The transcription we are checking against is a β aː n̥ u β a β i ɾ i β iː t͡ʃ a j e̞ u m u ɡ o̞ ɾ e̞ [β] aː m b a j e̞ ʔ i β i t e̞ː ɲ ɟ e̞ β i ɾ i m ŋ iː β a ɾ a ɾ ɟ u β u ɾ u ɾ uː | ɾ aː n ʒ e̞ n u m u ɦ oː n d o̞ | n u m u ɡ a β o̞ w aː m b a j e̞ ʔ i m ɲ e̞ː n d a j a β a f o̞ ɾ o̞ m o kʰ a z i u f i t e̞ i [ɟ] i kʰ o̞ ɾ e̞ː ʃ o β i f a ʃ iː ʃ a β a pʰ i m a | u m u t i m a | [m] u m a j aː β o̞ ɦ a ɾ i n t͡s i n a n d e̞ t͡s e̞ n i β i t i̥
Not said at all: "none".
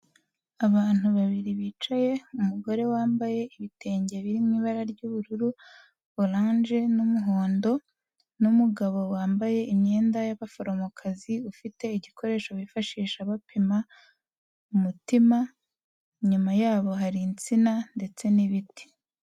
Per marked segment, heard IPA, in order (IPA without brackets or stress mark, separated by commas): w, ɟ, ɲ